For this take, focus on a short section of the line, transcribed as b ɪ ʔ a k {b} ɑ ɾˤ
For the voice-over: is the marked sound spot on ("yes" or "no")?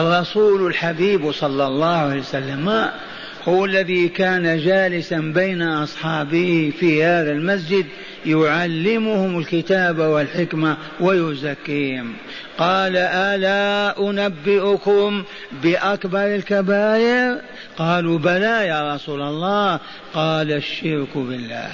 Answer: yes